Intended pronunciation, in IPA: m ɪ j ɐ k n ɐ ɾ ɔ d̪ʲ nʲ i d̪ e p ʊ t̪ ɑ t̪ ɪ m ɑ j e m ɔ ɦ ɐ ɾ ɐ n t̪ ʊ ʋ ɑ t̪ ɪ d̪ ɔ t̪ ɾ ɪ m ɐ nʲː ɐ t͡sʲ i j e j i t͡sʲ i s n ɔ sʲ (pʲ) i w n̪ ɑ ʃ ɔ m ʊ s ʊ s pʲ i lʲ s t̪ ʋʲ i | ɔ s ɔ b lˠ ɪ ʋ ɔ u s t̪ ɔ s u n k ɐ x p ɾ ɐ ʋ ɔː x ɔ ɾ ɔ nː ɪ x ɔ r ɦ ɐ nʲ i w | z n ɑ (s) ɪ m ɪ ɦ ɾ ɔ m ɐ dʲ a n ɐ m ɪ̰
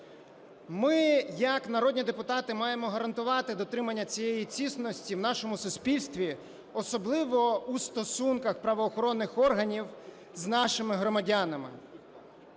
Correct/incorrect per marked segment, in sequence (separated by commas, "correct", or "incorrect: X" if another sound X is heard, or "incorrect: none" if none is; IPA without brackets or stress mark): incorrect: tʲ, incorrect: ʃ